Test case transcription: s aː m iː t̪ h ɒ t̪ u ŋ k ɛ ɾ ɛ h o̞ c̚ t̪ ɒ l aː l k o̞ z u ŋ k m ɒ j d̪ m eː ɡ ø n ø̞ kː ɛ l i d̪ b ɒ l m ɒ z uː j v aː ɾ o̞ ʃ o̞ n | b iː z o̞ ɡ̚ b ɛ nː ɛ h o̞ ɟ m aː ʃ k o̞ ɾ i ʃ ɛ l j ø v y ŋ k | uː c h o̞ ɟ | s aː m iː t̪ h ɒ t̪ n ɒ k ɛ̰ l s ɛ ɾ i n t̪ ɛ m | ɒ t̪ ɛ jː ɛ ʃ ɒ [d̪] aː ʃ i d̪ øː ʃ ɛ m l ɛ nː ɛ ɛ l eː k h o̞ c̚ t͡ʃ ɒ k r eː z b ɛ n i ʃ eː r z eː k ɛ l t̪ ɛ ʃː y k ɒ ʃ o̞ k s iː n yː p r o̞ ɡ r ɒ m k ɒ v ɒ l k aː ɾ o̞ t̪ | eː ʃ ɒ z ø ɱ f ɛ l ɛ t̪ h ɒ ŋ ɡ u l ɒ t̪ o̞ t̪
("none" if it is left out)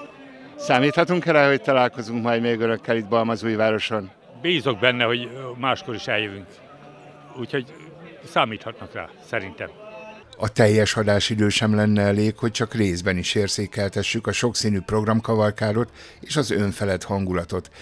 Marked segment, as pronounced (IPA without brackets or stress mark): d̪